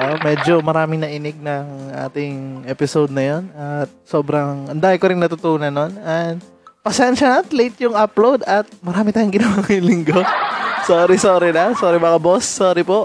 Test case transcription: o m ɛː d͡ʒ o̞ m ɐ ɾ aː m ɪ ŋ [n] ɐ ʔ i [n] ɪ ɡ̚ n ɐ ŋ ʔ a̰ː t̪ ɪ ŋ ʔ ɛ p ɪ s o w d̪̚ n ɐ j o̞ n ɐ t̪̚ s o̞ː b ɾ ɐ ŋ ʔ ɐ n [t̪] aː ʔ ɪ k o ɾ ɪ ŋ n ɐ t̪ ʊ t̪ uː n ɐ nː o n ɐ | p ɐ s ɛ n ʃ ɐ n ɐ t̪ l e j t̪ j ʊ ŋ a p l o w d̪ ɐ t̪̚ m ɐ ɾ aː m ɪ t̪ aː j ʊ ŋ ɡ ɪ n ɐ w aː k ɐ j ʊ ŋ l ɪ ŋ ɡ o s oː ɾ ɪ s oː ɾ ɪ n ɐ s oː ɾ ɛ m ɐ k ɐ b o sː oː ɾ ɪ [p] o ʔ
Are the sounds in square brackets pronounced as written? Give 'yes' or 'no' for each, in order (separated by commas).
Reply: yes, yes, no, yes